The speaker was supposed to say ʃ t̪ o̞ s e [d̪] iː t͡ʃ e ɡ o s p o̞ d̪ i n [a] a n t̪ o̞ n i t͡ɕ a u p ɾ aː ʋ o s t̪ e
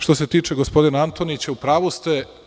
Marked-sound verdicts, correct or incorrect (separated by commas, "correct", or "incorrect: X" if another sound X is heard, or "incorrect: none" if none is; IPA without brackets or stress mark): incorrect: t̪, correct